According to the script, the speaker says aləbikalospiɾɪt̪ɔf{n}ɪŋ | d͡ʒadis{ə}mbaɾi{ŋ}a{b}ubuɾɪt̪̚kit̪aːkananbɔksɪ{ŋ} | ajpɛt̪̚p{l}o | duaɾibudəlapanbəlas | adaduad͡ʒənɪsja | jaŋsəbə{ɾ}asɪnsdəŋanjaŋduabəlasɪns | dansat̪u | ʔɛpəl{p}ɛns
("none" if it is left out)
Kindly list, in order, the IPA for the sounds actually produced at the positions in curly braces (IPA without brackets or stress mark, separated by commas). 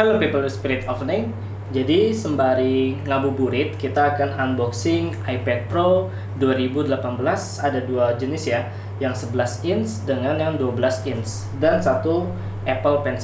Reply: n, ə, ŋ, b, ŋ, ɾ, l, p